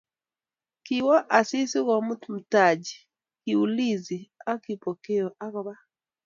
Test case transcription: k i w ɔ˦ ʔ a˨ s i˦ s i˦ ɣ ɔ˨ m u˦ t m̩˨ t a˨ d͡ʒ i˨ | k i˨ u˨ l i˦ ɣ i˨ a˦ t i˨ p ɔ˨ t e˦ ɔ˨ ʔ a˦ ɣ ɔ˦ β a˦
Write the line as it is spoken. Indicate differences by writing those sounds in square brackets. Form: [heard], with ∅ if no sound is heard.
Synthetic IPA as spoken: k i w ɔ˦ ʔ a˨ s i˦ s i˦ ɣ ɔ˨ m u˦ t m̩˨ t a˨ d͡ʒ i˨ | k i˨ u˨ l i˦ [z] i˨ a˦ [k] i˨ p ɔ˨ [k] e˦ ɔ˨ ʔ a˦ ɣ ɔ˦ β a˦